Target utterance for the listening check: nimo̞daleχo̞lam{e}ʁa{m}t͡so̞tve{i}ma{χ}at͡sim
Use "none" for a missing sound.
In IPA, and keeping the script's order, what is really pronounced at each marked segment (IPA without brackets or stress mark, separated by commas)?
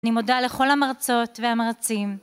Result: a, none, a, ʁ